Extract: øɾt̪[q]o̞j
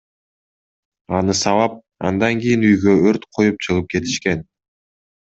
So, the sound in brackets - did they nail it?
no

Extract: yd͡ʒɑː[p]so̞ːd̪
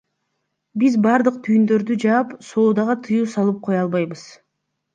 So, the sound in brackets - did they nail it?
yes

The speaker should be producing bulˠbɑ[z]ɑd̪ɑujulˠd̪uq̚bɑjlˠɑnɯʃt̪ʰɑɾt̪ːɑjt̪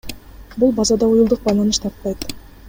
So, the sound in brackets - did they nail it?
yes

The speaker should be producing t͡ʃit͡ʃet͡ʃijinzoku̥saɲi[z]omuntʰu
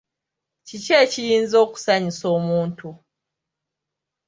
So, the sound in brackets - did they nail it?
no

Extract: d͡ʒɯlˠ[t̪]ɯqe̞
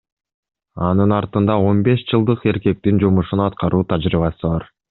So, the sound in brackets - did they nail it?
no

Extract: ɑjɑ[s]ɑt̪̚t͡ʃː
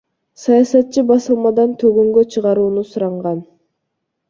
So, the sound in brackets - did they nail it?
yes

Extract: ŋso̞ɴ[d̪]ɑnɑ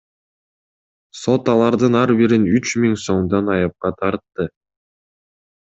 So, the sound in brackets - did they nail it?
yes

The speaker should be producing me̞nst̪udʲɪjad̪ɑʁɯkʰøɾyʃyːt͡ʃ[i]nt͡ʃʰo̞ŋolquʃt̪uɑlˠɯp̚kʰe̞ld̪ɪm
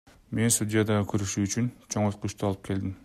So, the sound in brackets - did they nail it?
no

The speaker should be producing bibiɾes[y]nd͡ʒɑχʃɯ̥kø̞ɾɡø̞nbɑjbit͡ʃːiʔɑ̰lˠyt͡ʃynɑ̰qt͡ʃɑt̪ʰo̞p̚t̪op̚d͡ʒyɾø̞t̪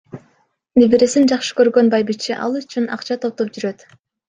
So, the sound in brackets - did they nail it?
no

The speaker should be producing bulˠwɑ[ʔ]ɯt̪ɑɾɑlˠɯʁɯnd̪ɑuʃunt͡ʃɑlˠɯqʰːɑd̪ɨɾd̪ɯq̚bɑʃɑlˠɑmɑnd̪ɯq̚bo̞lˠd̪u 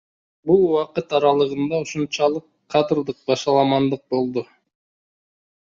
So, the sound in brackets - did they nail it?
no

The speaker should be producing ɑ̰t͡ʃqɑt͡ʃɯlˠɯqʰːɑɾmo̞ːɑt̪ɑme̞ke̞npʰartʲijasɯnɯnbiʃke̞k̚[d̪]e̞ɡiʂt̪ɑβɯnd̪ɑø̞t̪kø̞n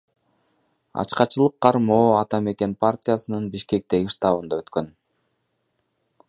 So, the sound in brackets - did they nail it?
no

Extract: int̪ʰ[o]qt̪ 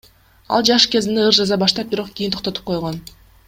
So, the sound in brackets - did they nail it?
yes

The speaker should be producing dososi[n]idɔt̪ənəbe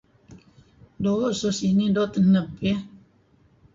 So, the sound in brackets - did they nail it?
yes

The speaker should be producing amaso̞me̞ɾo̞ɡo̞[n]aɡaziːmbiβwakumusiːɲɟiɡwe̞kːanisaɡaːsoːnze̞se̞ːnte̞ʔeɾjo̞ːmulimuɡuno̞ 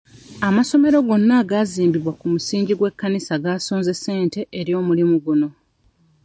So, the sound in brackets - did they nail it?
no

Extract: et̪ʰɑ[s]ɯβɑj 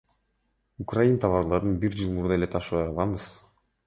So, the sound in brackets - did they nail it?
no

